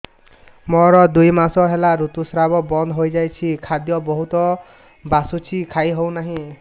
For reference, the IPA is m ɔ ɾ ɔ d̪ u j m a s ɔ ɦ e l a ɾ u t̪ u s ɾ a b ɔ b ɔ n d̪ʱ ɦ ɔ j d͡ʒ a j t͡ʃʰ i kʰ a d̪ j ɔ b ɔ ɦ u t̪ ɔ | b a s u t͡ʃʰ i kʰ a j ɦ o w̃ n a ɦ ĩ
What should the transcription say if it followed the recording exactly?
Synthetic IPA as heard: m ɔ ɾ ɔ d̪ u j m a s ɔ ɦ e l a ɾ u t̪ u s ɾ a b ɔ b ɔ n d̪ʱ ɦ o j d͡ʒ a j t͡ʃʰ i kʰ a d̪ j ɔ b ɔ ɦ u t̪ ɔ | b a s u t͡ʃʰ i kʰ a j ɦ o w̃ n a ɦ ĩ

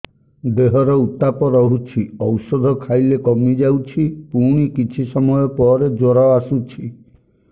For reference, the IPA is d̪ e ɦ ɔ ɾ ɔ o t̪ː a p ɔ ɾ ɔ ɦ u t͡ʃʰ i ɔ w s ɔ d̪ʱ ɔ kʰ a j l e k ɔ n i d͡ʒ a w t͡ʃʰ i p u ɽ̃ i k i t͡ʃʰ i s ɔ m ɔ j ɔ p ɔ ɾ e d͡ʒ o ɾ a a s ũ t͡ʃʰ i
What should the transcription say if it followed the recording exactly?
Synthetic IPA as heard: d̪ e ɦ ɔ ɾ ɔ u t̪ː a p ɔ ɾ ɔ ɦ u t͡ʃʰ i ɔ w s ɔ d̪ʱ ɔ kʰ a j l e k ɔ m i d͡ʒ a w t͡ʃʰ i p u ɽ̃ i k i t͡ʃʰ i s ɔ m ɔ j ɔ p ɔ ɾ e d͡ʒ o ɾ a a s u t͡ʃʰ i

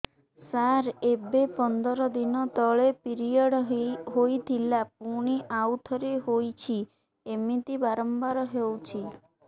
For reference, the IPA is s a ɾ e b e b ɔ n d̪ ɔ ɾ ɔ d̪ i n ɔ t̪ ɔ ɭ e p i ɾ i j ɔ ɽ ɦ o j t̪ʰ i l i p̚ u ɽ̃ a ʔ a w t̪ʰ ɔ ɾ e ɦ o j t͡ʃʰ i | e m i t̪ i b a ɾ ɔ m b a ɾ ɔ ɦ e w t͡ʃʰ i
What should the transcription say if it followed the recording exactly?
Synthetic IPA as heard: s a ɾ e b e p ɔ n d̪ ɔ ɾ ɔ d̪ i n ɔ t̪ ɔ ɭ e p i ɾ i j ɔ ɽ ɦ o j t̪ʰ i l a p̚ u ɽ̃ i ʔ a w t̪ʰ ɔ ɾ e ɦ o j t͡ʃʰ i | e m i t̪ i b a ɾ ɔ m b a ɾ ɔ ɦ e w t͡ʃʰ i

